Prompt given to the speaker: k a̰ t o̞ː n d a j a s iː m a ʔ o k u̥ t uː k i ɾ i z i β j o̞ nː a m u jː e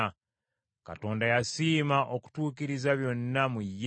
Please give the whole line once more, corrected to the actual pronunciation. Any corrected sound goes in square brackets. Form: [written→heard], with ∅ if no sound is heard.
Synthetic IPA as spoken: k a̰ t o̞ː n d a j a s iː m a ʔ o k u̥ t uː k i ɾ i z [i→a] β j o̞ nː a m u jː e